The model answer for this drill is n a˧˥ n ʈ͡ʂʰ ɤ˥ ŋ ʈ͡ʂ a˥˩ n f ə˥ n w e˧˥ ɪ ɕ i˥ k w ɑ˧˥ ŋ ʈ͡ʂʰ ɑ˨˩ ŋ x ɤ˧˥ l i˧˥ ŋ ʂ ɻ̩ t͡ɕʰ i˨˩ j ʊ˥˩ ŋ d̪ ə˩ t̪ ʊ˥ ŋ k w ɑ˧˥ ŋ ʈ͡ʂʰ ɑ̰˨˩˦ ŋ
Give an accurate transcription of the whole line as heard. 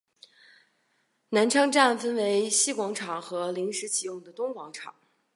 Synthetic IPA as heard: n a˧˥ n ʈ͡ʂʰ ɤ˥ ŋ ʈ͡ʂ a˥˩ n f ə˥ n w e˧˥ ɪ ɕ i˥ k w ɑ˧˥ ŋ ʈ͡ʂʰ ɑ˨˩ ŋ x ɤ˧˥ l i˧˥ ŋ ʂ ɻ̩ t͡ɕʰ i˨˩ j ʊ˥˩ ŋ d̪ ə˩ t̪ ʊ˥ ŋ k w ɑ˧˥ ŋ ʈ͡ʂʰ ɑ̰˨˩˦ ŋ